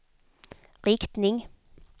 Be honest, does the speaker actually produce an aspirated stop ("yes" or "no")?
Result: no